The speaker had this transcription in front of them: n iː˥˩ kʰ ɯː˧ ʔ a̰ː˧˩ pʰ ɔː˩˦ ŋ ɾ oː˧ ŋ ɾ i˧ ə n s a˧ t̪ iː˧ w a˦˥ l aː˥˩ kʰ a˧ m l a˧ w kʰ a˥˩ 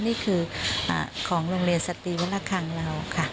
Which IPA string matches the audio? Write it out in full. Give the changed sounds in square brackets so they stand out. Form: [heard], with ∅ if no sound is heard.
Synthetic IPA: n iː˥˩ kʰ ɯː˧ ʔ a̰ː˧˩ [kʰ] ɔː˩˦ ŋ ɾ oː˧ ŋ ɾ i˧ ə n s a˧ t̪ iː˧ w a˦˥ l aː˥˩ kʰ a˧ [ŋ] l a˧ w kʰ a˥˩